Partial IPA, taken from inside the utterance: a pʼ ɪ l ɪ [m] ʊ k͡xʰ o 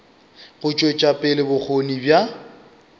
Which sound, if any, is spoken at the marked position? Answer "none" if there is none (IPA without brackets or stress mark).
b